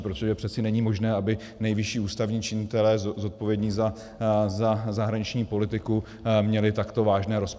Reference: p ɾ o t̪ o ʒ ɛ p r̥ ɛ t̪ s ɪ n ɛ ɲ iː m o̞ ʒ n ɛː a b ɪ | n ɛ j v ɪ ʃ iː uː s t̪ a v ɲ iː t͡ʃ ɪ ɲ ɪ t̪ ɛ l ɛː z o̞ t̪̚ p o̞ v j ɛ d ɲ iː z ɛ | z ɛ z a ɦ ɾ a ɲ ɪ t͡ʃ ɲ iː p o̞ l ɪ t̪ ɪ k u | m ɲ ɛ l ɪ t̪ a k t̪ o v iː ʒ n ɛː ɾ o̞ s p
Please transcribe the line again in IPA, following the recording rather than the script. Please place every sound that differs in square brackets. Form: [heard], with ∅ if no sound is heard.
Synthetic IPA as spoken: p ɾ o t̪ o ʒ ɛ p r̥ ɛ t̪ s ɪ n ɛ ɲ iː m o̞ ʒ n ɛː a b ɪ | n ɛ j v ɪ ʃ iː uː s t̪ a v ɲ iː t͡ʃ ɪ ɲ ɪ t̪ ɛ l ɛː z o̞ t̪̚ p o̞ v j ɛ d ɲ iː z [a] | z [a] z a ɦ ɾ a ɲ ɪ t͡ʃ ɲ iː p o̞ l ɪ t̪ ɪ k u | m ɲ ɛ l ɪ t̪ a k t̪ o v [aː] ʒ n ɛː ɾ o̞ s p